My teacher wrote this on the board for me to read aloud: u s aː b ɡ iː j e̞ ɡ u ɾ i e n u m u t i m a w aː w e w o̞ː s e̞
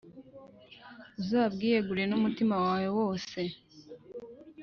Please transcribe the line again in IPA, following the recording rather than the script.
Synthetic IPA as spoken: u z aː b ɡ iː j e̞ ɡ u ɾ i e n u m u t i m a w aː w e w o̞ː s e̞